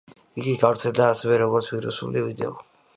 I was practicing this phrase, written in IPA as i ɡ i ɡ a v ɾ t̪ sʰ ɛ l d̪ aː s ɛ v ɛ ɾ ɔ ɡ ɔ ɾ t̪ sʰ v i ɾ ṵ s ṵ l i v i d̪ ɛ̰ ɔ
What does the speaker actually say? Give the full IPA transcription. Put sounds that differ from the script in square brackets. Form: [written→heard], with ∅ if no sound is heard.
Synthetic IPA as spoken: i ɡ i ɡ a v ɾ t̪ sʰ ɛ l d̪ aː s ɛ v ɛ ɾ ɔ ɡ ɔ ɾ t̪ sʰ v i ɾ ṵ s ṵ l i v i d̪ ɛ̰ ɔ